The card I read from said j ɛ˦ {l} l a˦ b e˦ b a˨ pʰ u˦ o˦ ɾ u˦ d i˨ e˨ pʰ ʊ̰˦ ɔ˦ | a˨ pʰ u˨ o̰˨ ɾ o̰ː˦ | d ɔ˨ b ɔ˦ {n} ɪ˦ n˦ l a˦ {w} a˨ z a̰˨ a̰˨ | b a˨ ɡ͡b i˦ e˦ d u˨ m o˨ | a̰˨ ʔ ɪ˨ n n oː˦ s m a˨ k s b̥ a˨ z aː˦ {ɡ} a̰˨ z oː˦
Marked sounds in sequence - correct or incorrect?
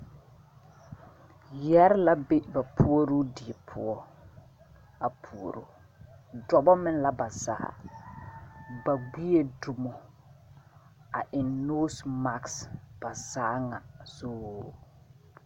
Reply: incorrect: ɾ, incorrect: m, incorrect: b, incorrect: ŋ

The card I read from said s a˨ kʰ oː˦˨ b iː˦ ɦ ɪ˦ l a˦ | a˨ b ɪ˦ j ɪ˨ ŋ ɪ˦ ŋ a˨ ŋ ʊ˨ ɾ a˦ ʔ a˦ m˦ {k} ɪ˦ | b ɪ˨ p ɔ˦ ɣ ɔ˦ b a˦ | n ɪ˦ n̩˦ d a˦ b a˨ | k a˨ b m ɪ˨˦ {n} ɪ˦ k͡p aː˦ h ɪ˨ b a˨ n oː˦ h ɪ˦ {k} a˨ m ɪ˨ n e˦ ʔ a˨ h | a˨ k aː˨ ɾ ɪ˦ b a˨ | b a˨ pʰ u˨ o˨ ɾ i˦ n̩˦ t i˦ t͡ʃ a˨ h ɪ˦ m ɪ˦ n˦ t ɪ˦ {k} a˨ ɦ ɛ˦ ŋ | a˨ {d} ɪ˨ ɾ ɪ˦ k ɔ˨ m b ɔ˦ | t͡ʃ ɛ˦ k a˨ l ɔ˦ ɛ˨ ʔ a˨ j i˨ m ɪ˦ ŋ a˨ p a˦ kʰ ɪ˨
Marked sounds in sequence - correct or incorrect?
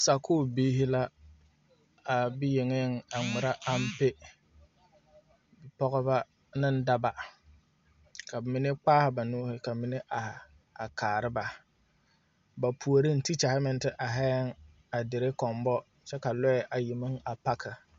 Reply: incorrect: p, correct, correct, incorrect: ʔ, correct

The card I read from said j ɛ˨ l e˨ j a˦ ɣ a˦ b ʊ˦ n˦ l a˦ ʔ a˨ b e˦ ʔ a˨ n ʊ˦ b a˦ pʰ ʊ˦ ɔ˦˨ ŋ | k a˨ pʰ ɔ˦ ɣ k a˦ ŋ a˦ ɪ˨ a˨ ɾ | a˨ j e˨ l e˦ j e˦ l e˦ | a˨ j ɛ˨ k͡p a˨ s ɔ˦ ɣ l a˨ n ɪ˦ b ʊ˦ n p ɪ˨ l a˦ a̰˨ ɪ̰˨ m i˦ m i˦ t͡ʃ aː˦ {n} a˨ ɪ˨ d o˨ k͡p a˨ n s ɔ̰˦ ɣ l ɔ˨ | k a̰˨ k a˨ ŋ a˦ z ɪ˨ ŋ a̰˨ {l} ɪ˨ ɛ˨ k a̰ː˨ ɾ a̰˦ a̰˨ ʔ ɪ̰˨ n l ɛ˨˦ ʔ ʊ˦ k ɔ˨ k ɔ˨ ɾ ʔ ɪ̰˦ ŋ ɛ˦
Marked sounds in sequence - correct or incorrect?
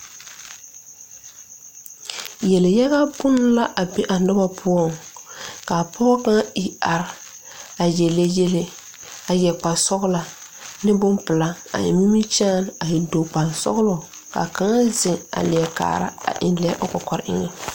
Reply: correct, correct

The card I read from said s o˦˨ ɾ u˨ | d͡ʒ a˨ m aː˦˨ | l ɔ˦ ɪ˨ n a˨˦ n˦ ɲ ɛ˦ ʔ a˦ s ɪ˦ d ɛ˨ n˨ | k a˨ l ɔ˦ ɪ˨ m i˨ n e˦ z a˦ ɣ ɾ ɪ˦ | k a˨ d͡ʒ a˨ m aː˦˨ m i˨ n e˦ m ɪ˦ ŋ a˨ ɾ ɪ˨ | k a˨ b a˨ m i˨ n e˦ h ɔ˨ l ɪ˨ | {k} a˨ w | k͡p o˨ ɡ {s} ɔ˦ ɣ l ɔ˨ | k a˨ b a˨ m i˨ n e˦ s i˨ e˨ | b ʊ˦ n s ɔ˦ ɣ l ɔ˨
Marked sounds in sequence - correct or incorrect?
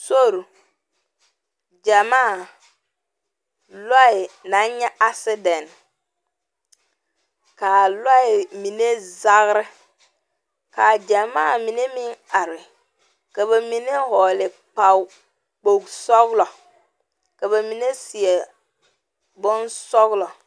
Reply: incorrect: k͡p, correct

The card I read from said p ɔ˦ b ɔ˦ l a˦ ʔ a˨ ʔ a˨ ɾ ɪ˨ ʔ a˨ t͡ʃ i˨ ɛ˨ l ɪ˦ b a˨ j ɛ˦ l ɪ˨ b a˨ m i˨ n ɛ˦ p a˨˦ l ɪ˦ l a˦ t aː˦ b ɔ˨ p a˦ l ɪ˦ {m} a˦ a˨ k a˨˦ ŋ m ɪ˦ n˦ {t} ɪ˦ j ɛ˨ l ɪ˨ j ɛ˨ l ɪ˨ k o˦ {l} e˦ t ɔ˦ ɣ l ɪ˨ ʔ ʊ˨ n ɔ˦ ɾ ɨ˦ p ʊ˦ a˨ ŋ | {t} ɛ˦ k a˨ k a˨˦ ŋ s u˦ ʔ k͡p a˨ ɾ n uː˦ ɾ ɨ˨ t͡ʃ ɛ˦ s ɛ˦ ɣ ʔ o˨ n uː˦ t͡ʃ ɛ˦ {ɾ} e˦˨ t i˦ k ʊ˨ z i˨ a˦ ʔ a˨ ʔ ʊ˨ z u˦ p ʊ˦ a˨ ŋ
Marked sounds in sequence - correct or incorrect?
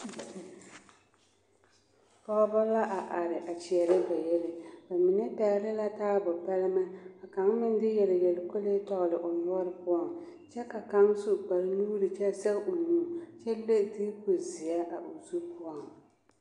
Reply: correct, incorrect: d, correct, incorrect: t͡ʃ, incorrect: l

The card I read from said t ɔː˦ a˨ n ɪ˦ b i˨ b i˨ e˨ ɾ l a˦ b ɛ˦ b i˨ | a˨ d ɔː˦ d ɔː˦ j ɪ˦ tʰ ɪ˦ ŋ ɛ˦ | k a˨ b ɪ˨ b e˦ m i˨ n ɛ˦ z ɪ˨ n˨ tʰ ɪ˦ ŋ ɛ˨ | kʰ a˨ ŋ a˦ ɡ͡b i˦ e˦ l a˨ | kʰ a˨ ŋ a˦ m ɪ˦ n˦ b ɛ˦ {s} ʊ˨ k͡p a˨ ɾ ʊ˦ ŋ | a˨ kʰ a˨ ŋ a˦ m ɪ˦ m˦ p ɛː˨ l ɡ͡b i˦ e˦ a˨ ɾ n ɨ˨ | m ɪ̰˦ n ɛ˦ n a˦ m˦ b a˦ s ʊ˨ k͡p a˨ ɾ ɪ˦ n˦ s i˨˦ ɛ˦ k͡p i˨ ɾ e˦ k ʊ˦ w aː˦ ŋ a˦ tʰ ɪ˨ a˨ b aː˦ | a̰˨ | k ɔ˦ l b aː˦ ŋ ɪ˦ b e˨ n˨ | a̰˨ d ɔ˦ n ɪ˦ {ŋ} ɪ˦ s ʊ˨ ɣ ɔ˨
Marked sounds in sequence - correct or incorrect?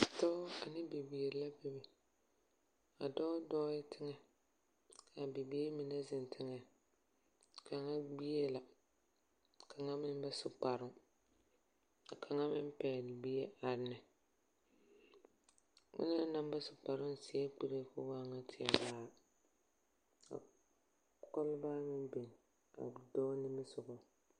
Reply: correct, incorrect: m

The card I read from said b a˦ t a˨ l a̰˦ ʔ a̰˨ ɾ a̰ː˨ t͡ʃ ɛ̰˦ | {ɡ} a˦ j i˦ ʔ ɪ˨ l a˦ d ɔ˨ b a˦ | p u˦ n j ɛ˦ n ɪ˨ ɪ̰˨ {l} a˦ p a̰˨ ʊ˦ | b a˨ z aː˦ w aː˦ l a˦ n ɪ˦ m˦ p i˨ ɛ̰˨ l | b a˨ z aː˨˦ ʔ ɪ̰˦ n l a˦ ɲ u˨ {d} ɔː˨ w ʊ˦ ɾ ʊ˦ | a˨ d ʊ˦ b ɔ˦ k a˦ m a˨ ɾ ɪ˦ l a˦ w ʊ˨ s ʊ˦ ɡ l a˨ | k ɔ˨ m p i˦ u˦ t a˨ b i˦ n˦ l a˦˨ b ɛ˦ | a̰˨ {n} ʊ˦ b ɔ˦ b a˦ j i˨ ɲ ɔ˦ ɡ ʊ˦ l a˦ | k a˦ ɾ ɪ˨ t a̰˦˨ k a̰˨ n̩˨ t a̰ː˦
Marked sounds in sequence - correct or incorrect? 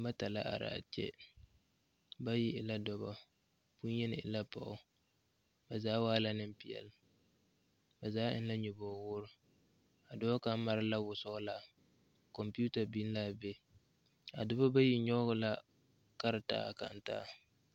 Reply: incorrect: b, correct, incorrect: b, incorrect: d

